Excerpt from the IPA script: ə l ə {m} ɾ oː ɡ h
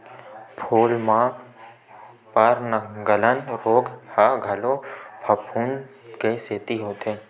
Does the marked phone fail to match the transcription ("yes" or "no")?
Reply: yes